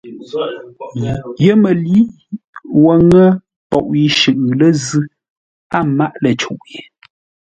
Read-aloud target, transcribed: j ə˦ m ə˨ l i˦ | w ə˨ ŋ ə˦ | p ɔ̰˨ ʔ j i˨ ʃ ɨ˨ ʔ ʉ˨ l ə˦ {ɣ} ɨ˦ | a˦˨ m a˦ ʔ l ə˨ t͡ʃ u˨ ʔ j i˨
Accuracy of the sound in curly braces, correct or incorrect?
incorrect